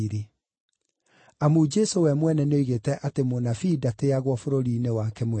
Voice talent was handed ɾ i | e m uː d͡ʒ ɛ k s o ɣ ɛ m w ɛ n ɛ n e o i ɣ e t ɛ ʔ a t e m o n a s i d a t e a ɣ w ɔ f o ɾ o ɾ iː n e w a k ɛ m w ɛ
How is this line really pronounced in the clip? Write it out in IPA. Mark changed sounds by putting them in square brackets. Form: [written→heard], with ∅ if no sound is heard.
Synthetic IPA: ɾ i | [e→a] m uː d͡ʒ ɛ [k→∅] s o [ɣ→w] ɛ m w ɛ n ɛ n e o i ɣ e t ɛ ʔ a t e m o n a [s→f] i d a t e a ɣ w ɔ f o ɾ o ɾ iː n e w a k ɛ m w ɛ